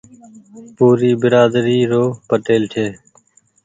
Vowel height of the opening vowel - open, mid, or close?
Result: close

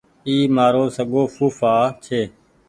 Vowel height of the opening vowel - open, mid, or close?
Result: close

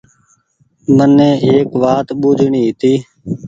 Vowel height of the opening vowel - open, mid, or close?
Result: mid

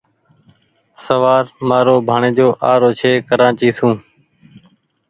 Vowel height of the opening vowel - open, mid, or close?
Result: mid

